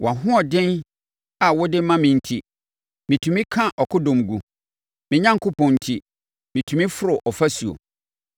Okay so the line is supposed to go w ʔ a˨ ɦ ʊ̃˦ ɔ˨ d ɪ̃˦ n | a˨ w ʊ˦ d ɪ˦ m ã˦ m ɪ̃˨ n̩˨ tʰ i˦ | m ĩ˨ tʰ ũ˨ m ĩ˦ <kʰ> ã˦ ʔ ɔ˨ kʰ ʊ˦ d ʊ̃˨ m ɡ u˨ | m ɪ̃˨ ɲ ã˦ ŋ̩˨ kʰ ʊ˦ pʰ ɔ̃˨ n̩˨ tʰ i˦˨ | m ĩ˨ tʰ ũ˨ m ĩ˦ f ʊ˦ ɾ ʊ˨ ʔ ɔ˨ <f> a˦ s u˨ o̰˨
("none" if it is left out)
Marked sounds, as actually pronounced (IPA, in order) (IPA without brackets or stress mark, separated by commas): kʰ, f